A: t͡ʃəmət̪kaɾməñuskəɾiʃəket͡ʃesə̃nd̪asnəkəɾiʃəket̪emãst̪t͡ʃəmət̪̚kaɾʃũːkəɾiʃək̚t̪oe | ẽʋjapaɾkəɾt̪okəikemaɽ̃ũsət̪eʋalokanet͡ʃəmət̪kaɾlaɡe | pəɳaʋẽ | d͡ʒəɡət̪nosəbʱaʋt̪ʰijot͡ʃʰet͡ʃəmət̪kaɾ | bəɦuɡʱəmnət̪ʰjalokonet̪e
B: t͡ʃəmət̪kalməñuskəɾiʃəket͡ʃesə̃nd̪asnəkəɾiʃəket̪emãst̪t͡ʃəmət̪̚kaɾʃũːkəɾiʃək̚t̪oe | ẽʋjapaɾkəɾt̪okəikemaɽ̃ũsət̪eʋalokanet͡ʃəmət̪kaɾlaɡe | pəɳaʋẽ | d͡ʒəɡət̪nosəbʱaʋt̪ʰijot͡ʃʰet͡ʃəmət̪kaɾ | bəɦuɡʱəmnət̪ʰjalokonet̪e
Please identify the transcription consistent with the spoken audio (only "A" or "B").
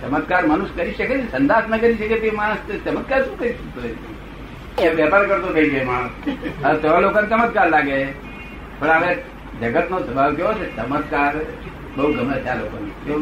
A